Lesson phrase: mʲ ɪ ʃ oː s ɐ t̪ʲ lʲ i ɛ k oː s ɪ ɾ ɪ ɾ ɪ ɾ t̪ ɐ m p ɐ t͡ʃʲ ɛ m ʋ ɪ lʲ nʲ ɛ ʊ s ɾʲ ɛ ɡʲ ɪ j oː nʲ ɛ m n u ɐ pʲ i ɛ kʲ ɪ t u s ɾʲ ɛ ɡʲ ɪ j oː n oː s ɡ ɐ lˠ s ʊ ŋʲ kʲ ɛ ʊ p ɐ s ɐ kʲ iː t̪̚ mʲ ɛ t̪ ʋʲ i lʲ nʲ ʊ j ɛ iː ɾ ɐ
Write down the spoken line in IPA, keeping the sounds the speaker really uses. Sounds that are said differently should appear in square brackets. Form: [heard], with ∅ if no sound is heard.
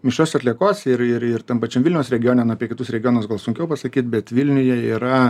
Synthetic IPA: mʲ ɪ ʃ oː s ɐ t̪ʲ lʲ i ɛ k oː s ɪ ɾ ɪ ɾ ɪ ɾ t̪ ɐ m p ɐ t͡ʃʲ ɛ m ʋ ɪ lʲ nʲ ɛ ʊ s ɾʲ ɛ ɡʲ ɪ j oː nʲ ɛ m n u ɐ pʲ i ɛ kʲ ɪ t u s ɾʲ ɛ ɡʲ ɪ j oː n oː s ɡ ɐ lˠ s ʊ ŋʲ kʲ ɛ ʊ p ɐ s ɐ kʲ iː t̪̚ [bʲ] ɛ t̪ ʋʲ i lʲ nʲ ʊ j ɛ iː ɾ ɐ